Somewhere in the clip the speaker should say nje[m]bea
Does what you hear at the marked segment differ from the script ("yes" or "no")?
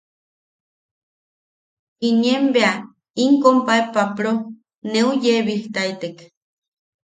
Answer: no